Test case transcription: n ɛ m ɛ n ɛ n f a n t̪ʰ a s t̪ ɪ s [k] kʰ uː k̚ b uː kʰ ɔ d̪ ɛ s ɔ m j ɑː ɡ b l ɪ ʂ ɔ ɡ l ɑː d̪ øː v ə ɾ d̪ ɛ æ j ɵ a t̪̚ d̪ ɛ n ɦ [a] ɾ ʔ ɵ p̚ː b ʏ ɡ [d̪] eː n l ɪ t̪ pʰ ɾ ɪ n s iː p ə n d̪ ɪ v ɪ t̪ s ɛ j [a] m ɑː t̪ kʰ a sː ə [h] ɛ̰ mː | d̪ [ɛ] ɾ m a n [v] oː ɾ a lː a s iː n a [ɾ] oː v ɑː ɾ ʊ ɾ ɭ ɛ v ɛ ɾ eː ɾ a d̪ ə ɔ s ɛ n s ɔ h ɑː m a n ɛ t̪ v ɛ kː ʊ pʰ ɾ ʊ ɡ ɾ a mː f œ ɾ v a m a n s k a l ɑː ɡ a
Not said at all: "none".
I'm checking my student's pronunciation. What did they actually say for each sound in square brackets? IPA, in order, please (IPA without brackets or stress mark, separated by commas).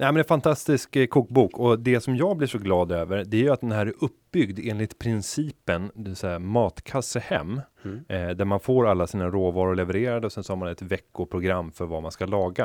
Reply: k, æ, d̪, a, h, æ, f, ɾ